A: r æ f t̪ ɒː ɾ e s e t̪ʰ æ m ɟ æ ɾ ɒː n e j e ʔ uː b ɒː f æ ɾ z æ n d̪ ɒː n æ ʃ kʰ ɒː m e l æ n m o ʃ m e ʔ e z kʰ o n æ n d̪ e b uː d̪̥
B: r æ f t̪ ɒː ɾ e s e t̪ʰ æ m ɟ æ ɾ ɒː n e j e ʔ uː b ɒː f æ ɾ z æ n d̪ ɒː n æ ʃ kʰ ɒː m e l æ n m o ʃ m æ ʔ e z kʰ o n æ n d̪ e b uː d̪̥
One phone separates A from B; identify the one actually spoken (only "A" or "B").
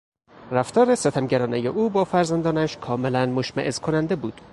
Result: B